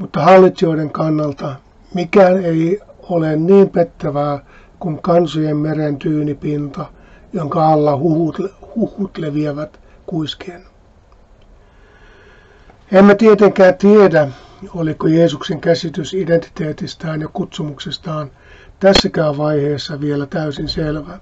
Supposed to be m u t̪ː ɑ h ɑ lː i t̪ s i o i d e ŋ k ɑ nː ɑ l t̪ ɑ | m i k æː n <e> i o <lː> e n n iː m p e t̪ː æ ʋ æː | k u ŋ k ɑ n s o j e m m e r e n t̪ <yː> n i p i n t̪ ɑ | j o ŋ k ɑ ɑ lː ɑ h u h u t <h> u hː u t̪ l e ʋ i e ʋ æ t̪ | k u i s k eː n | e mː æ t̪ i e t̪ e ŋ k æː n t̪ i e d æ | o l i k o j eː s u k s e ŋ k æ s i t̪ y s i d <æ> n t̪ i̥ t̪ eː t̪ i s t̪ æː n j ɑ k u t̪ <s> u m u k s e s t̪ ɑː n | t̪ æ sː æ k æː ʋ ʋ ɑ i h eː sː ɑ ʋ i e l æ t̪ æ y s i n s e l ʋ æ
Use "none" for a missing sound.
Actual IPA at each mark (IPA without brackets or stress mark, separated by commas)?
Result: e, l, yː, h, e, s